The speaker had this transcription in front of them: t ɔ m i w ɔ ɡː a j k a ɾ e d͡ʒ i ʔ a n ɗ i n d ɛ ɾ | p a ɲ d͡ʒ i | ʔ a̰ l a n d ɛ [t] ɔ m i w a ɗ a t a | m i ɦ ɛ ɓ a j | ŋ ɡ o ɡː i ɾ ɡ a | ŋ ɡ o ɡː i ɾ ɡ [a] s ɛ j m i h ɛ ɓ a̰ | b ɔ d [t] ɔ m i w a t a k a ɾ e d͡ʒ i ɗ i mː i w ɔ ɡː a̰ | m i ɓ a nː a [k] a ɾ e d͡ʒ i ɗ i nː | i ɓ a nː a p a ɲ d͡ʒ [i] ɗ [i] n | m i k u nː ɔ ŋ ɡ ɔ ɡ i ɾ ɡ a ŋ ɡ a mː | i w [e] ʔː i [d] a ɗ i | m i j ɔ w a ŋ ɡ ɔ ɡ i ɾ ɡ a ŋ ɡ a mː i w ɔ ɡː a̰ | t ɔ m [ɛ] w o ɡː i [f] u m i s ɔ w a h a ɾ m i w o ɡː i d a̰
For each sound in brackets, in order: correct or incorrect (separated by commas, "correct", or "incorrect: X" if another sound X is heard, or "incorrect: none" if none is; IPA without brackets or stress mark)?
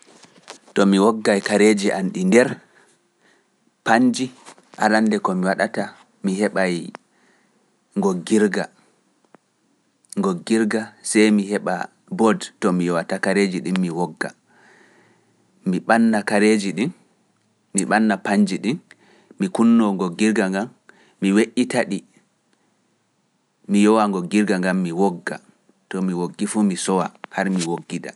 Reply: incorrect: k, correct, correct, correct, correct, correct, correct, incorrect: t, incorrect: i, correct